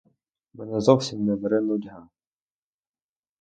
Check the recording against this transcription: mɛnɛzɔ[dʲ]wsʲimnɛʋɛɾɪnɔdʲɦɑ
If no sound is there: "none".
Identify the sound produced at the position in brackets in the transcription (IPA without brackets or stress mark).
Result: none